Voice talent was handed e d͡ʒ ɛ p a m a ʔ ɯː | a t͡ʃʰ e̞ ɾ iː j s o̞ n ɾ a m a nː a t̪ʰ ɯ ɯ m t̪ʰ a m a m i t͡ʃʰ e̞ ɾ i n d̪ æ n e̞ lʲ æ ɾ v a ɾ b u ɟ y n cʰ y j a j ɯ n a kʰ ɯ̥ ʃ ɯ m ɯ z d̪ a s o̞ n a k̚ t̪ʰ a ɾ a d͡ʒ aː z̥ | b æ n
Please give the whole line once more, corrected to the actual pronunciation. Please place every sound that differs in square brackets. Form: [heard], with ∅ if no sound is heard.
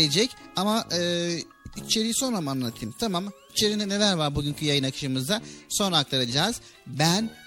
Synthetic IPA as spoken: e d͡ʒ ɛ [c] a m a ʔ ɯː | [i] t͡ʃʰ e̞ ɾ [i] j s o̞ n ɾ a m a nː a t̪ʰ ɯ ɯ m t̪ʰ a m a m i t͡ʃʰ e̞ ɾ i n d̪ [ɛ] n e̞ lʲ æ ɾ v a ɾ b u ɟ y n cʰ y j a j ɯ n a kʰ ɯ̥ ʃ ɯ m ɯ z d̪ a s o̞ n a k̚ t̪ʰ a ɾ a d͡ʒ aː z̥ | b æ n